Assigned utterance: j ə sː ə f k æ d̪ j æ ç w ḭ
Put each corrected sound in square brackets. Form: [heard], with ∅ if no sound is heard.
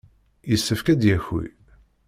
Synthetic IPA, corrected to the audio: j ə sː ə f k æ d̪ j æ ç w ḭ